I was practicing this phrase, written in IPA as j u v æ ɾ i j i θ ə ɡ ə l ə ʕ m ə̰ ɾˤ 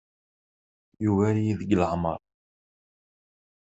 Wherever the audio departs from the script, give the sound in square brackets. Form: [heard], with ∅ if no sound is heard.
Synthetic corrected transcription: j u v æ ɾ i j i [ð] ə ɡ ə l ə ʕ m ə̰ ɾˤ